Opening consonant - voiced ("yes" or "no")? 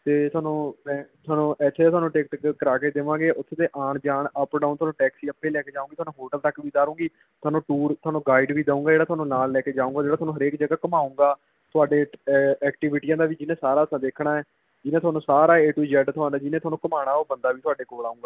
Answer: no